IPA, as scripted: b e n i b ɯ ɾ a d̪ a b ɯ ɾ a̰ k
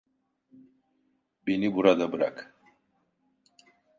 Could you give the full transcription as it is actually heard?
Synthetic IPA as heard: b e n i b u ɾ a d̪ a b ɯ ɾ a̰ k

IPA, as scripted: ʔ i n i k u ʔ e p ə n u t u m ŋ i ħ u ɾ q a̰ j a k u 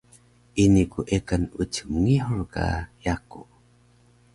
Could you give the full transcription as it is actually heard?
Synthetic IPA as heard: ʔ i n i k u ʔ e k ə n u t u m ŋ i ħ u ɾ k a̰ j a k u

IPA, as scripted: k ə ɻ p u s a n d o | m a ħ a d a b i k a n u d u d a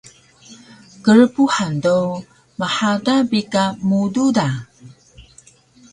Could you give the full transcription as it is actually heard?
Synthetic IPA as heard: k ə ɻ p u ħ a n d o | m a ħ a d a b i k a m u d u d a

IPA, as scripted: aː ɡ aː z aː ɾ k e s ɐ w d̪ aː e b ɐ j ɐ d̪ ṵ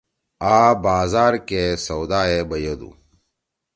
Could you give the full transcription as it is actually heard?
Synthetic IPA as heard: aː b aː z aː ɾ k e s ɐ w d̪ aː e b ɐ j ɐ d̪ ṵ

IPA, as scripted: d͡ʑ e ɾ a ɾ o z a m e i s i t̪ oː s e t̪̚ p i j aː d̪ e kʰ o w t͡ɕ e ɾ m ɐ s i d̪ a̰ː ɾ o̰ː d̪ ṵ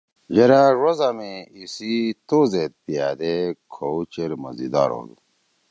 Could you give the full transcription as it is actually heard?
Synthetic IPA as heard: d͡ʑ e ɾ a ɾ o z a m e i s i t̪ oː z e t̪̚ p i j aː d̪ e kʰ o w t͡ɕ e ɾ m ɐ z i d̪ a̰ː ɾ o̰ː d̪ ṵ

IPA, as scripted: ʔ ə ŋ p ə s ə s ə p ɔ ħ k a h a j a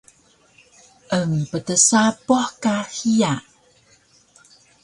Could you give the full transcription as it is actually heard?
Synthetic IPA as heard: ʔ ə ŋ p ə t ə s a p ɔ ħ k a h i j a

